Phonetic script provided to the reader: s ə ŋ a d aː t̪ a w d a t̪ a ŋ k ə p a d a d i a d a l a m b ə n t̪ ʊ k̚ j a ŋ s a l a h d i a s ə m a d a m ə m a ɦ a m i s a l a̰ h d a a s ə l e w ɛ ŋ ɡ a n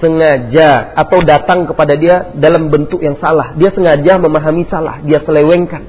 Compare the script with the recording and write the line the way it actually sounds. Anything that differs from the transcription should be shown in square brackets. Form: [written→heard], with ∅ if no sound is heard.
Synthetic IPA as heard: s ə ŋ a [d→d͡ʒ] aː t̪ a w d a t̪ a ŋ k ə p a d a d i a d a l a m b ə n t̪ ʊ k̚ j a ŋ s a l a h d i a s ə [m→ŋ] a [d→d͡ʒ] a m ə m a ɦ a m i s a l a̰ h d [a→i] a s ə l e w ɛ ŋ [ɡ→k] a n